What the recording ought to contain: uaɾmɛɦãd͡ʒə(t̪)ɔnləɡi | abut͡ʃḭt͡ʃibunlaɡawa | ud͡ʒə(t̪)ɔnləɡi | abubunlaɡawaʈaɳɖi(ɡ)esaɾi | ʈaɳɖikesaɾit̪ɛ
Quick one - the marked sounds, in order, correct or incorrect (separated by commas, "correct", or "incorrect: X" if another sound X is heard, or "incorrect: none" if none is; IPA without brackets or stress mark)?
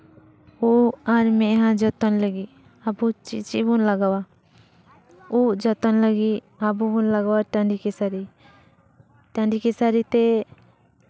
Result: correct, correct, incorrect: k